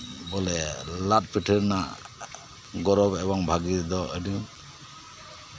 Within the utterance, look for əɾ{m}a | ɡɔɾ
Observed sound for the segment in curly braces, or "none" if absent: n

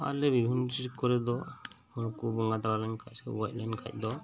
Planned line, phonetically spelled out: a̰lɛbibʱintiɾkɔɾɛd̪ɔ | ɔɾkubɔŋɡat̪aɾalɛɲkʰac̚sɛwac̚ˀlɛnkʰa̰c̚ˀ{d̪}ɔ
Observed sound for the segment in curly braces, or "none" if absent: d̪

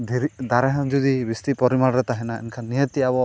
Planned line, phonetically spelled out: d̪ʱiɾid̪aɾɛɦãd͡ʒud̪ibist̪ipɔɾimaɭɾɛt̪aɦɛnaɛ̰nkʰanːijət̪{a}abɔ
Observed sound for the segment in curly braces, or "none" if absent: i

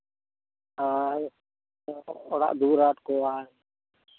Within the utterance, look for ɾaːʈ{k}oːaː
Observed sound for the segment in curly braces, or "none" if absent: k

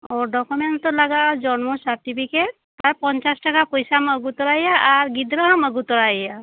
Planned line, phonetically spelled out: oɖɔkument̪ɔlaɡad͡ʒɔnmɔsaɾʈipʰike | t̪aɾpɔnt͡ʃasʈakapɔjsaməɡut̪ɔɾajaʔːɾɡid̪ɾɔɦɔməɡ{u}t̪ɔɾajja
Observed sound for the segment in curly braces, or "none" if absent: u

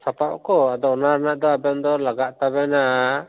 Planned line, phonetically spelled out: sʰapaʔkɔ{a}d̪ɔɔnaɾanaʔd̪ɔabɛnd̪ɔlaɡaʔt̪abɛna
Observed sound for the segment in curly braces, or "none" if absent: a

